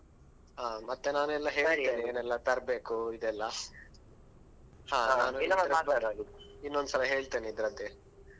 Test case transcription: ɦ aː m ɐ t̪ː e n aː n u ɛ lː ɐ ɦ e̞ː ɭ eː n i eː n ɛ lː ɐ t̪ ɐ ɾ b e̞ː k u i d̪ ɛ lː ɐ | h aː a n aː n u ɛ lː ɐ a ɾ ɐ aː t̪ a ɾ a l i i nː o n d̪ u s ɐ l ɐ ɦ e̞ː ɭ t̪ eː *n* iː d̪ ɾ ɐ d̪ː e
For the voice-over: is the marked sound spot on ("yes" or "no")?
yes